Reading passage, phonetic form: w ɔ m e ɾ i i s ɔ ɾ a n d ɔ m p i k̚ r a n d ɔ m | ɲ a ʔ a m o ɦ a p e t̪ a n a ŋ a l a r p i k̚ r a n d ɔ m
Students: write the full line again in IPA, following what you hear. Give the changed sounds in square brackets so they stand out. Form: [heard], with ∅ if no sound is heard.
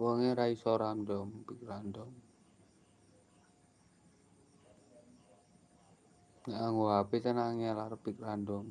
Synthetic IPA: w ɔ [ŋ] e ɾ [a] i s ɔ ɾ a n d ɔ m p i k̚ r a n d ɔ m | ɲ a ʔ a [ŋ] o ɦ a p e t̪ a n a ŋ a l a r p i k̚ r a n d ɔ m